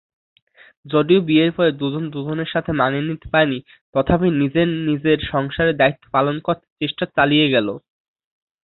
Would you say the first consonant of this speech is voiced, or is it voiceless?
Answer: voiced